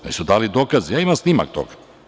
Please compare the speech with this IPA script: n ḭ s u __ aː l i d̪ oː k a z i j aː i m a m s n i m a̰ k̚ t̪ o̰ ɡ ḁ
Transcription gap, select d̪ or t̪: d̪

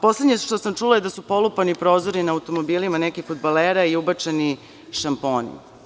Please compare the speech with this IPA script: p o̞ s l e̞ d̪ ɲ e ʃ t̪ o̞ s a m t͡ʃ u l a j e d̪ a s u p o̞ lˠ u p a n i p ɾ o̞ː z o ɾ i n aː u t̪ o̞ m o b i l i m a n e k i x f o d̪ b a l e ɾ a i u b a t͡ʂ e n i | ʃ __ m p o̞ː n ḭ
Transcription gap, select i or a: a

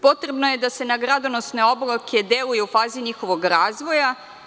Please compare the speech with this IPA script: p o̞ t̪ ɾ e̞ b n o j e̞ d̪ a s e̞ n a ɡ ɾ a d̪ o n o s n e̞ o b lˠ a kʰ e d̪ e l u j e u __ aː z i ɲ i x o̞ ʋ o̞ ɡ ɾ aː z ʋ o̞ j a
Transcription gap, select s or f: f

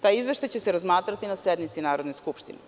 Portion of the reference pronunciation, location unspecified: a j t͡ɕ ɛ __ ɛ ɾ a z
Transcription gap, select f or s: s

